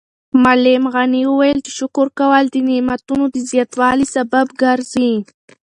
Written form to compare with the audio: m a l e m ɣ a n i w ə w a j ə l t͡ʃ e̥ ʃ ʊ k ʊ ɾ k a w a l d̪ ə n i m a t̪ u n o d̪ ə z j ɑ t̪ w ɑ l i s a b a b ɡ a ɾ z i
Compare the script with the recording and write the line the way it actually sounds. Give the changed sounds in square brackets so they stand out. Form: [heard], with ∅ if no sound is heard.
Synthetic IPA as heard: m a l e m ɣ a n i w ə w a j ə l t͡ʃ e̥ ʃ ʊ k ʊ ɾ k a w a l d̪ ə n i m a t̪ u n o d̪ ə z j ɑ t̪ w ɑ l i s a b a b ɡ a ɾ z i